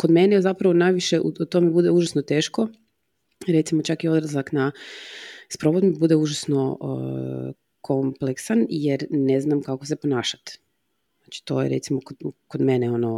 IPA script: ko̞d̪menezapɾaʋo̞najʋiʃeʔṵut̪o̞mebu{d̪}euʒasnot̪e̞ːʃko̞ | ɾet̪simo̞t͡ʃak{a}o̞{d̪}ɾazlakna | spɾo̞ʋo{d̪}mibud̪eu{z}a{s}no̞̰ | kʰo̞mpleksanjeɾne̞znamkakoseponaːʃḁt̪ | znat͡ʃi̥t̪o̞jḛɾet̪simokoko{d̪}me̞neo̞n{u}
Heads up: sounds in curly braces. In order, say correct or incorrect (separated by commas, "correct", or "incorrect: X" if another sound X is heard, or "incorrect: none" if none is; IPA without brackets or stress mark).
correct, incorrect: i, correct, correct, incorrect: ʒ, correct, correct, incorrect: o